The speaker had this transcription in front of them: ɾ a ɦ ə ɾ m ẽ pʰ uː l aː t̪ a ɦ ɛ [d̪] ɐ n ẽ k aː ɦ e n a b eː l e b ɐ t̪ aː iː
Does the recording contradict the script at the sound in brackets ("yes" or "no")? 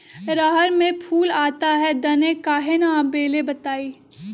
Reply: no